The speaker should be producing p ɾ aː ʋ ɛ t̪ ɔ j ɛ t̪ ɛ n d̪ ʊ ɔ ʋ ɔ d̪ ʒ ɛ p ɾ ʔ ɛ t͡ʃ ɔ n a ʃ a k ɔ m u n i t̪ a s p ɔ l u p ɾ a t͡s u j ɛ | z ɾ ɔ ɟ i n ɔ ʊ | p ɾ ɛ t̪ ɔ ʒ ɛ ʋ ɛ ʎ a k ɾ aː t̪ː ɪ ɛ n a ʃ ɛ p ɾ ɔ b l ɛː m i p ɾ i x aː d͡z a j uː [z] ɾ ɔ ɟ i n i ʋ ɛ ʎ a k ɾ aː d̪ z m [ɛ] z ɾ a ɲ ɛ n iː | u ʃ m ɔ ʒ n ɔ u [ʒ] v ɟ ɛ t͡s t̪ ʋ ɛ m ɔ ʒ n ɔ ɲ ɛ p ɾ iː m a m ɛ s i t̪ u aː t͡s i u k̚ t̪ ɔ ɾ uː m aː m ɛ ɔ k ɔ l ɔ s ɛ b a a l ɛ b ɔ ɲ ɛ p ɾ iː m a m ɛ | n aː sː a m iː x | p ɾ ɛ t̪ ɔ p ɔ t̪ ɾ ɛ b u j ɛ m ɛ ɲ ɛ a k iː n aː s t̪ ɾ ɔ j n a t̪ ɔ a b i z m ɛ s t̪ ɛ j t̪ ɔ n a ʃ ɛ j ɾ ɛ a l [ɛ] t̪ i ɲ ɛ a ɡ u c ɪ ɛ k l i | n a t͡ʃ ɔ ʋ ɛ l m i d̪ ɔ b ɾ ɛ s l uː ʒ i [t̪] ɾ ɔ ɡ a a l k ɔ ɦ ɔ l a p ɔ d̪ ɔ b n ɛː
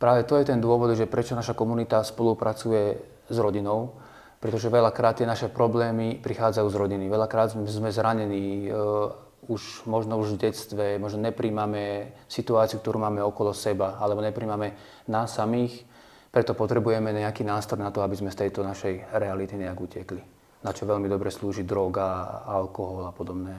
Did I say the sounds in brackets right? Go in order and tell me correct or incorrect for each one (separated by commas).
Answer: correct, correct, correct, incorrect, incorrect